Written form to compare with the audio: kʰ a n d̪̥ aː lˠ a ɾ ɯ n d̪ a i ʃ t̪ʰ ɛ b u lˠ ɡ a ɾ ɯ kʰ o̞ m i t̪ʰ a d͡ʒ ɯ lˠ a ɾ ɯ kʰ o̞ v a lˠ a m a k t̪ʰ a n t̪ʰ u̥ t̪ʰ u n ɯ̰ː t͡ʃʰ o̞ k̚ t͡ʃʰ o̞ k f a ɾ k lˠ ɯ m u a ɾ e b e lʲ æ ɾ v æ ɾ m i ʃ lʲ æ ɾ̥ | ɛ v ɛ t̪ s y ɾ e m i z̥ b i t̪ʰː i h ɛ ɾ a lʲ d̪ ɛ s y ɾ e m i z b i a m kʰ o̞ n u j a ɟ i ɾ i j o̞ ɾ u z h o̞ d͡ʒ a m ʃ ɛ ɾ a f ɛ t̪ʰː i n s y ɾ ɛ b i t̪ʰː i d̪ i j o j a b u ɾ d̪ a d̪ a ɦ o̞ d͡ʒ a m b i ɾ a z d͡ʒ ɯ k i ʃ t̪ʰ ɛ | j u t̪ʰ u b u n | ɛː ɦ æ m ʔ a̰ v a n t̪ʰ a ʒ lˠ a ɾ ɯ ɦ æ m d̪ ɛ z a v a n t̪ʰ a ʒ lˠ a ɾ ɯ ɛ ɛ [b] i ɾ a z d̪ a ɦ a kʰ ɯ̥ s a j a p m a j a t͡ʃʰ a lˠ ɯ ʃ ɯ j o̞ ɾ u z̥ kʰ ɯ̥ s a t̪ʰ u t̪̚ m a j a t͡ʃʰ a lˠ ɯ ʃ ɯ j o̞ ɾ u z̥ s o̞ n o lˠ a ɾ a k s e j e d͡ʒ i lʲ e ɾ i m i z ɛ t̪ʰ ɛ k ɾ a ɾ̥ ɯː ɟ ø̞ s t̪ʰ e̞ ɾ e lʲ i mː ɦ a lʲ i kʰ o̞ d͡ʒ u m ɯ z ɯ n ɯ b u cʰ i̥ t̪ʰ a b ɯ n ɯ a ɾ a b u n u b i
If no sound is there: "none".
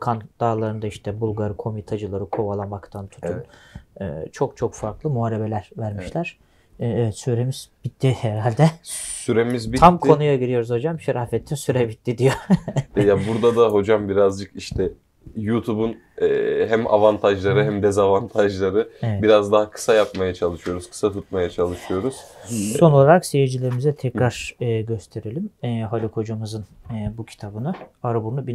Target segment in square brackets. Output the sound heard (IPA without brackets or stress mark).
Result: b